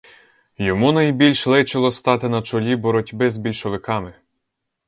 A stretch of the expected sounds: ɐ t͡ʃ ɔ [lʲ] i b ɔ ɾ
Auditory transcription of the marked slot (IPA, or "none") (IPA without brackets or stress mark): lʲ